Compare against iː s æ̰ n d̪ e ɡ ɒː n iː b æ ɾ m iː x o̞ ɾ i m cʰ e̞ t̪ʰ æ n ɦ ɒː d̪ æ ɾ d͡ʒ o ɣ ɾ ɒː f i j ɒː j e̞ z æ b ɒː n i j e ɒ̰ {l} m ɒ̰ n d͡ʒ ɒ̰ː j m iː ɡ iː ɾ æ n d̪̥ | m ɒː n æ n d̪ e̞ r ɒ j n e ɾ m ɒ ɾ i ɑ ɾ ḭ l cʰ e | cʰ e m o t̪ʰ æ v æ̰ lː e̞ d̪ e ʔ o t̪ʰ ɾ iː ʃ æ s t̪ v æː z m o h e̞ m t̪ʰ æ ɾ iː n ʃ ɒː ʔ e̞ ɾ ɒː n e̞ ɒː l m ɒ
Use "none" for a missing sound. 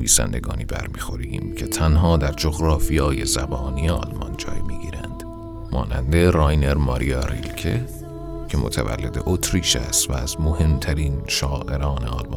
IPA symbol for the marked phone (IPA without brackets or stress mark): l